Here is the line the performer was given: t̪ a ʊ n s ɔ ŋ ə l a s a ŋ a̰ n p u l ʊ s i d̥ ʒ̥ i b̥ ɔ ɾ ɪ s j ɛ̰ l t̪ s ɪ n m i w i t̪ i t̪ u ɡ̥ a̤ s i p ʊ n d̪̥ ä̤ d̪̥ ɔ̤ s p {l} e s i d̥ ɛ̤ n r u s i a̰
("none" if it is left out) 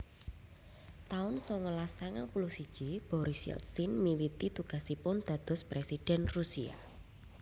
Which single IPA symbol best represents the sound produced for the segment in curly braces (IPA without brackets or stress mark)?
ɾ